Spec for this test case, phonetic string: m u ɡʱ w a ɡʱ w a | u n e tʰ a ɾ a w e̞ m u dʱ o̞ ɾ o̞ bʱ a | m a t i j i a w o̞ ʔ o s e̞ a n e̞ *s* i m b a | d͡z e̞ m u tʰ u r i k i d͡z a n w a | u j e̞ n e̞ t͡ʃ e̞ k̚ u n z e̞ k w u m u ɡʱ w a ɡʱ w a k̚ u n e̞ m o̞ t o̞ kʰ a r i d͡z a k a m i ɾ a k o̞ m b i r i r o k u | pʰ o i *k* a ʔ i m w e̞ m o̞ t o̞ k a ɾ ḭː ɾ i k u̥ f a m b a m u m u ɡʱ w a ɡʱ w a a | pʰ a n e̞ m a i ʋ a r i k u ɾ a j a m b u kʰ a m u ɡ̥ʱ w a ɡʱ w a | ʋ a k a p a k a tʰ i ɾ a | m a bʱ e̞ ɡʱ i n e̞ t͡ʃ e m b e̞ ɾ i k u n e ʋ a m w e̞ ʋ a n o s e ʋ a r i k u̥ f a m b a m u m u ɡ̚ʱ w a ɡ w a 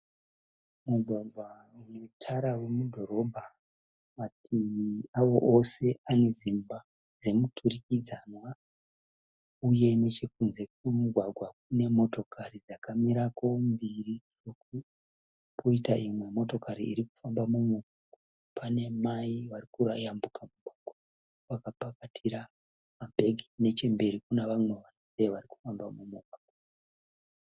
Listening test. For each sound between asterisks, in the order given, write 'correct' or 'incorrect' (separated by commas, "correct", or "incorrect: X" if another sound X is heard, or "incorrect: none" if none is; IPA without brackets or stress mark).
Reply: incorrect: z, incorrect: t